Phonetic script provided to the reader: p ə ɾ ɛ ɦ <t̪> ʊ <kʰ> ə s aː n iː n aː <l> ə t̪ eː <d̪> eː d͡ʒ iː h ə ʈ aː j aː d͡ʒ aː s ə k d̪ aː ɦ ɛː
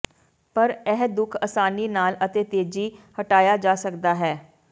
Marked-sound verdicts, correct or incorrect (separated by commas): incorrect, correct, correct, incorrect